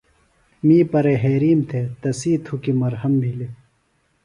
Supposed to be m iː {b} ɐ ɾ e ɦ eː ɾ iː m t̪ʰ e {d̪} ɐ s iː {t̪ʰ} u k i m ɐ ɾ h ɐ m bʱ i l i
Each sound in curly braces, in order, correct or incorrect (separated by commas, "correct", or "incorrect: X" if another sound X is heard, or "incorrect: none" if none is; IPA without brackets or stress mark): incorrect: p, incorrect: t̪, correct